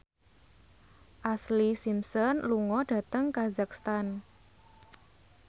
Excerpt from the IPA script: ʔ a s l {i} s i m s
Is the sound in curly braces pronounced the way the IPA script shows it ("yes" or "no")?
yes